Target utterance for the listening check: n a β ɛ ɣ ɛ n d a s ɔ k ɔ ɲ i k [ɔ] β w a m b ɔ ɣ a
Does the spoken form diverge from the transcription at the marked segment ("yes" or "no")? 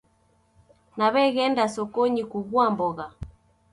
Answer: yes